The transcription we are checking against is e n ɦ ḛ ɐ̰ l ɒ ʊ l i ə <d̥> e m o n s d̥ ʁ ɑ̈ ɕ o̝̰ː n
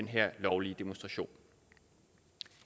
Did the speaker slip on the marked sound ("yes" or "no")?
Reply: no